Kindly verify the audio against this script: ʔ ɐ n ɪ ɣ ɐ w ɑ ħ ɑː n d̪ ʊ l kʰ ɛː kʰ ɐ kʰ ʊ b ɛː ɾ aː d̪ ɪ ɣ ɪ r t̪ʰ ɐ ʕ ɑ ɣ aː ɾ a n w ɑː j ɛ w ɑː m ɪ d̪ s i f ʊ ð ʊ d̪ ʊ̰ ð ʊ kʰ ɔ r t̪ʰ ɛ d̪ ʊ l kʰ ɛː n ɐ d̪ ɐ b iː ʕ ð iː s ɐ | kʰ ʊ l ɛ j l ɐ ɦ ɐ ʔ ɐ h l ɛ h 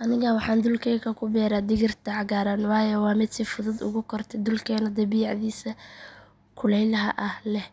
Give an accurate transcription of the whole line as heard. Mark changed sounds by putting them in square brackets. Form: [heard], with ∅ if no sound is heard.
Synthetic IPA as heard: ʔ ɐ n ɪ ɣ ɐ w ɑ ħ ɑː n d̪ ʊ l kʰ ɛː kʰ ɐ kʰ ʊ b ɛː ɾ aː d̪ ɪ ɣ ɪ r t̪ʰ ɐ ʕ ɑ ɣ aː ɾ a n w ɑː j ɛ w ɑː m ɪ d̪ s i f ʊ ð ʊ d̪ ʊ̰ [ɣ] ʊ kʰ ɔ r t̪ʰ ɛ d̪ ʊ l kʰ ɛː n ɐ d̪ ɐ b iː ʕ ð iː s ɐ | kʰ ʊ l ɛ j l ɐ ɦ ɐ ʔ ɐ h l ɛ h